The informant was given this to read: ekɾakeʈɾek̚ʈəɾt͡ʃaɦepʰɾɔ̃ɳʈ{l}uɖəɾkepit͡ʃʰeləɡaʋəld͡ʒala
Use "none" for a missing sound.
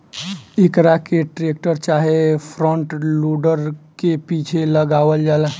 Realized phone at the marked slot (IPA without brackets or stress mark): l